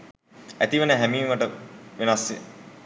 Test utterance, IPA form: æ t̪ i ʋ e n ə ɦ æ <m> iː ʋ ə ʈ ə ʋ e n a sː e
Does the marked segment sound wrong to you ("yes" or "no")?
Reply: no